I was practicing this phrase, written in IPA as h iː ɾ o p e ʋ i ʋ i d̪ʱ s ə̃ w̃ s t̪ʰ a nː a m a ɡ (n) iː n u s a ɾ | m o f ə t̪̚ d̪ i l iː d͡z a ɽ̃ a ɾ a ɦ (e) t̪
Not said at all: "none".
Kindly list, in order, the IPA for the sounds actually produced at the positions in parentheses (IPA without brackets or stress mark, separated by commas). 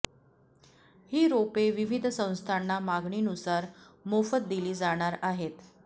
ɳ, e